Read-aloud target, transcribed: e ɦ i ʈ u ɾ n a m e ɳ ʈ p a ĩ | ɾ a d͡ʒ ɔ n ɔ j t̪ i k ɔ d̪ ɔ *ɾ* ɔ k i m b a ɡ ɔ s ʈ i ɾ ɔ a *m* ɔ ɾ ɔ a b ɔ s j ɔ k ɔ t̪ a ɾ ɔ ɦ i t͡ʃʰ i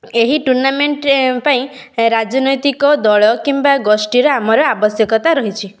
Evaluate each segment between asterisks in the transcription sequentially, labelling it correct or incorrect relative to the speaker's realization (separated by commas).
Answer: incorrect, correct